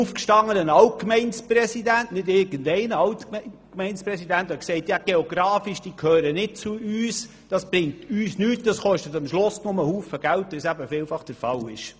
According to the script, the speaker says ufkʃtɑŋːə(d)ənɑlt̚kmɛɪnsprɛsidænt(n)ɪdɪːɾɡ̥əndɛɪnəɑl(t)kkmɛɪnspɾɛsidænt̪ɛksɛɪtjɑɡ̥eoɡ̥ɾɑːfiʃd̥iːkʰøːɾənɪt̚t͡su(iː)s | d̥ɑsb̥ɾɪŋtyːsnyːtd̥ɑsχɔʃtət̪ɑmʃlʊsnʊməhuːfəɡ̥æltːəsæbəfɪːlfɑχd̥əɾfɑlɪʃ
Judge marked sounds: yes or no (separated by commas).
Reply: no, yes, yes, no